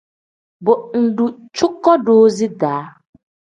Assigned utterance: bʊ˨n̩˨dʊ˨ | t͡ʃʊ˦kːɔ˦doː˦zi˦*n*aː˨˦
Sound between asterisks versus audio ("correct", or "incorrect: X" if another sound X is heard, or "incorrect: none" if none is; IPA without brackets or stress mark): incorrect: d